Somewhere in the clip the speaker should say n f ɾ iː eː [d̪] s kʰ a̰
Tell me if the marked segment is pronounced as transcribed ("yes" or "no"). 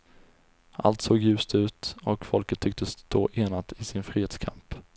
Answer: no